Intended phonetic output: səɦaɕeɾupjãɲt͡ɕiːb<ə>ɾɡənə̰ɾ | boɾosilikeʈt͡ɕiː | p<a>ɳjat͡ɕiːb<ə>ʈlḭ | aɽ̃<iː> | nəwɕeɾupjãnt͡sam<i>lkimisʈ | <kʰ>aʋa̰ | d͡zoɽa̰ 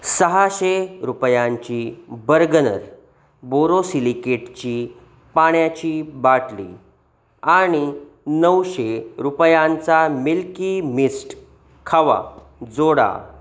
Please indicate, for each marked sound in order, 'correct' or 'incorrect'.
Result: correct, correct, incorrect, incorrect, correct, correct

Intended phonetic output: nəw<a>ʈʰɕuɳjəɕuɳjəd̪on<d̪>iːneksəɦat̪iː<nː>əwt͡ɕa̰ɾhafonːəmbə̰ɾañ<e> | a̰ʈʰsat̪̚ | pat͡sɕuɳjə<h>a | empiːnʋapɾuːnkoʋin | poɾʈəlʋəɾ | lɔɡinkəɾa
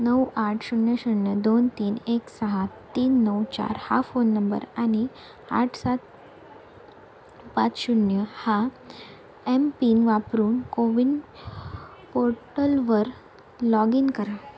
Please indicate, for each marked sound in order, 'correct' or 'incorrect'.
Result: correct, incorrect, correct, incorrect, correct

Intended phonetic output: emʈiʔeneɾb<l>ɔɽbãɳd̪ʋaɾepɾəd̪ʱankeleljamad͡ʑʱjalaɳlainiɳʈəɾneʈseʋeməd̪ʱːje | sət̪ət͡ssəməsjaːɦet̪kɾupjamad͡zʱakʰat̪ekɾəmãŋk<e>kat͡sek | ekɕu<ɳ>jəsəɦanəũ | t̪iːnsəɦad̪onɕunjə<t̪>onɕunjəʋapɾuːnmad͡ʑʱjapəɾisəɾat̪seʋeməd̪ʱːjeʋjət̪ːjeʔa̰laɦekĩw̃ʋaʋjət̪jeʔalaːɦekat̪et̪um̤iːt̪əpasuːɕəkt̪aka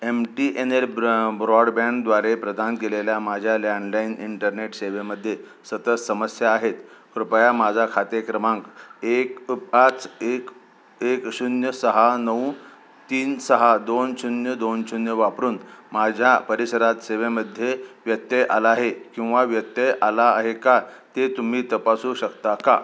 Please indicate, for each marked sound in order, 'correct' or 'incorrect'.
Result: incorrect, correct, incorrect, incorrect

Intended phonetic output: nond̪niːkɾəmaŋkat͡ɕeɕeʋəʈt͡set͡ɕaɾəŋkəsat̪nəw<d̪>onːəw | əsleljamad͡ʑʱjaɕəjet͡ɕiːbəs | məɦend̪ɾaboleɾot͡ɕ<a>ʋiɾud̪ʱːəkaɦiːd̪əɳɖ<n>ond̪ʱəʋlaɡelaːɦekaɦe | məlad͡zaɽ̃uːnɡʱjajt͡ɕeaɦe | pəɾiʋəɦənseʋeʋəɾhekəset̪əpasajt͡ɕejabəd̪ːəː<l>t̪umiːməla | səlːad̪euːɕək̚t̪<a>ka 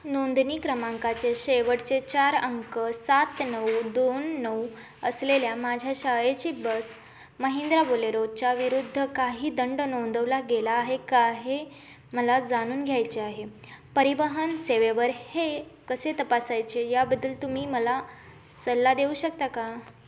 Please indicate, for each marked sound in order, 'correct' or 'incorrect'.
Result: correct, correct, correct, correct, correct

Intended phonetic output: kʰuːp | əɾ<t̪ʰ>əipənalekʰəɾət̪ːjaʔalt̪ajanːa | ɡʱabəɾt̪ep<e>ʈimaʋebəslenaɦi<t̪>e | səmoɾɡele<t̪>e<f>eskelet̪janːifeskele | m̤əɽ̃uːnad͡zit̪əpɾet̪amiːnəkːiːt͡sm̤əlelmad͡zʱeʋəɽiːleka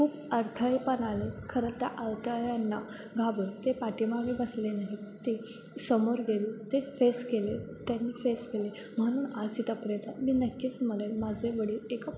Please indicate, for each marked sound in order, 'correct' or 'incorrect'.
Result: correct, incorrect, correct, correct, correct

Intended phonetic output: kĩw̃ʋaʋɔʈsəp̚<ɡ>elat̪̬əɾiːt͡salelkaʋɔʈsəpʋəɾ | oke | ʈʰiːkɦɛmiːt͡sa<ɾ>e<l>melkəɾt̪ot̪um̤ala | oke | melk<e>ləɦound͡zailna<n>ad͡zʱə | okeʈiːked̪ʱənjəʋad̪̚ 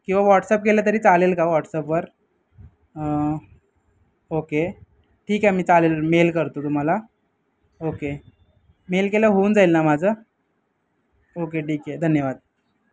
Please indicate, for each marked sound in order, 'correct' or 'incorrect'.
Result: incorrect, incorrect, correct, correct, incorrect

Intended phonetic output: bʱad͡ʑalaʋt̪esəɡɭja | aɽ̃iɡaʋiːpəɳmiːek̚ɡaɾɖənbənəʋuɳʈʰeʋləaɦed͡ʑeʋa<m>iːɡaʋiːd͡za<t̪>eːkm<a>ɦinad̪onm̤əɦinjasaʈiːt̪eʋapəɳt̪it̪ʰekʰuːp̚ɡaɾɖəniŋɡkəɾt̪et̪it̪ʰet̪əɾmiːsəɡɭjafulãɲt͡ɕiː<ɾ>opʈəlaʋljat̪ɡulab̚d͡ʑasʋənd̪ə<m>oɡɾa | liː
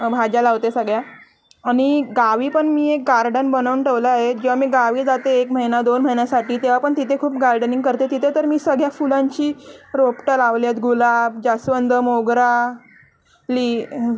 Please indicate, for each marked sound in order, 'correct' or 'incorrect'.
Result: correct, correct, incorrect, correct, correct

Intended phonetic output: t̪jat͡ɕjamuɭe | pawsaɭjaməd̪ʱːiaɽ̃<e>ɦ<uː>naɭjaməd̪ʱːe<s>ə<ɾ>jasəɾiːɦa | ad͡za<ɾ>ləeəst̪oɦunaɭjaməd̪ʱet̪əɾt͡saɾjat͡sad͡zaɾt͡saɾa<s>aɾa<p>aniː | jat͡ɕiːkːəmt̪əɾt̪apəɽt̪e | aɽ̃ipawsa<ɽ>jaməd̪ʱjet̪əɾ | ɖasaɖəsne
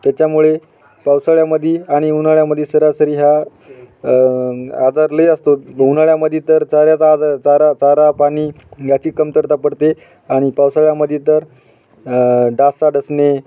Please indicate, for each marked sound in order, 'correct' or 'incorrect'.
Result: incorrect, incorrect, correct, correct, correct, incorrect, correct, incorrect

